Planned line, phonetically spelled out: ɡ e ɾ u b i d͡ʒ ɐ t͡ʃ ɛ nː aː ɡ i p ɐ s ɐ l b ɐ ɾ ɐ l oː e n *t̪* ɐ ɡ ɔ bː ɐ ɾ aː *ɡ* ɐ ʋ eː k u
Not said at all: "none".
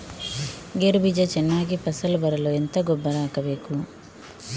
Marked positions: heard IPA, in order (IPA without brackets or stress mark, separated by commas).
t̪, k